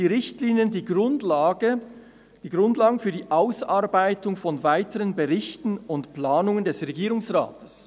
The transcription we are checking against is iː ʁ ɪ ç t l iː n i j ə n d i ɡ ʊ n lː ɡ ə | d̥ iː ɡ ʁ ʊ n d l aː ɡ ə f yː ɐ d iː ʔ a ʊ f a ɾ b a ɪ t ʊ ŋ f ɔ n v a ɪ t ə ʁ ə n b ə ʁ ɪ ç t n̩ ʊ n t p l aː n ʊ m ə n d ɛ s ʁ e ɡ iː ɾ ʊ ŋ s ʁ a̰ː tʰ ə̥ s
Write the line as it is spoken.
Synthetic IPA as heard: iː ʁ ɪ ç t l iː n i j ə n d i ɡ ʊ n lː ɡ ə | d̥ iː ɡ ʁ ʊ n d l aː ɡ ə f yː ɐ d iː ʔ a ʊ s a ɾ b a ɪ t ʊ ŋ f ɔ n v a ɪ t ə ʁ ə n b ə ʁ ɪ ç t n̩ ʊ n t p l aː n ʊ ŋ ə n d ɛ s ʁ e ɡ iː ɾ ʊ ŋ s ʁ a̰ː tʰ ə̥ s